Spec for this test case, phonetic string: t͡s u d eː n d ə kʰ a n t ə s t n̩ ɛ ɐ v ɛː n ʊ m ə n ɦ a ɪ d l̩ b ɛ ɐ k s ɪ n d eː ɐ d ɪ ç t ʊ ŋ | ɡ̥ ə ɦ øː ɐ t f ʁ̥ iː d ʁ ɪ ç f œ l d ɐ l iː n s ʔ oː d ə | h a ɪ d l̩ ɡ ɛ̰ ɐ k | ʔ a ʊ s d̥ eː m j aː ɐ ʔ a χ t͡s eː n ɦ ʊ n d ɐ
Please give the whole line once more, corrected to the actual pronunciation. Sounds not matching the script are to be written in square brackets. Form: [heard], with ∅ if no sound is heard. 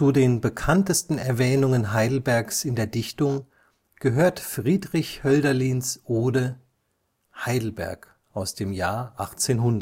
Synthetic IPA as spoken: t͡s u d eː n [b] ə kʰ a n t ə s t n̩ ɛ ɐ v ɛː n ʊ [ŋ] ə n ɦ a ɪ d l̩ b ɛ ɐ k s ɪ n d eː ɐ d ɪ ç t ʊ ŋ | ɡ̥ ə ɦ øː ɐ t f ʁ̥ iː d ʁ ɪ ç [h] œ l d ɐ l iː n s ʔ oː d ə | h a ɪ d l̩ [b] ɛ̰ ɐ k | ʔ a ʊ s d̥ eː m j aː ɐ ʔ a χ t͡s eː n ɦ ʊ n d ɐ